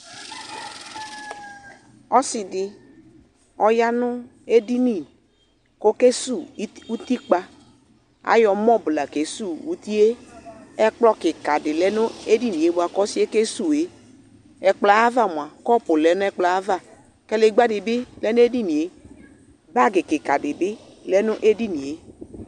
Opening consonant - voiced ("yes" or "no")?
no